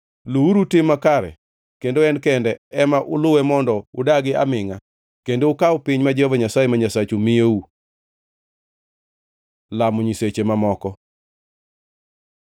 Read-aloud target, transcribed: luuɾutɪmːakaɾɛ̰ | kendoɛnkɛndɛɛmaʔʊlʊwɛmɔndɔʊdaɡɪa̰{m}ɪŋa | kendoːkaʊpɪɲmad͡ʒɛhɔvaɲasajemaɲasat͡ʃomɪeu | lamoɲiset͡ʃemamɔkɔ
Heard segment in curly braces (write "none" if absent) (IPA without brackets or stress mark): m